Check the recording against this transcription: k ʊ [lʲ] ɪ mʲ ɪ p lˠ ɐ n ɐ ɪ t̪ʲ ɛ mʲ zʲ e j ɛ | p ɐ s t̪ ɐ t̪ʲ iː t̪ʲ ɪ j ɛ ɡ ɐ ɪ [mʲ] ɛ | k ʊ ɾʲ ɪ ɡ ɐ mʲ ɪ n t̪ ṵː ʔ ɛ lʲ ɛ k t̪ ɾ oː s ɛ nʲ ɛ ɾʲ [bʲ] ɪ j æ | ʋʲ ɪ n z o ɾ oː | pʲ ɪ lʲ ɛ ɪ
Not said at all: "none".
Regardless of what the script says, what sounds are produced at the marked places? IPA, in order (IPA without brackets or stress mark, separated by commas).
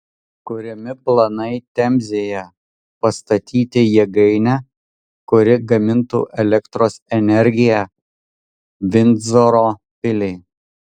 ɾʲ, nʲ, ɡʲ